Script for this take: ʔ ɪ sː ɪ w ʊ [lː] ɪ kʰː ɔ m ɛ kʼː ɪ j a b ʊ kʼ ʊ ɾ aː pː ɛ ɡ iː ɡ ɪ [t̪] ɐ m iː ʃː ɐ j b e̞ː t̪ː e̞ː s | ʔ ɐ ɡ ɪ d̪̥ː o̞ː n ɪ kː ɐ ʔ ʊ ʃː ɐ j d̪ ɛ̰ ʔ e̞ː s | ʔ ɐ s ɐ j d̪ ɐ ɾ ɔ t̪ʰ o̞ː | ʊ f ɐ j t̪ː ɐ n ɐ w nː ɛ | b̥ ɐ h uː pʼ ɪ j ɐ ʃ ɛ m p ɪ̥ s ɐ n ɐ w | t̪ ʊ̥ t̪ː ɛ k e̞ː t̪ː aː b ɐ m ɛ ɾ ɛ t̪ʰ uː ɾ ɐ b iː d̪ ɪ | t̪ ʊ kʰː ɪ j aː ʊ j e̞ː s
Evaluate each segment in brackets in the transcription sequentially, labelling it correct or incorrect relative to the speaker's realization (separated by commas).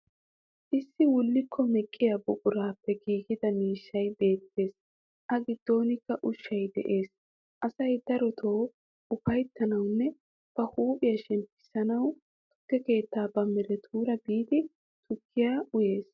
correct, incorrect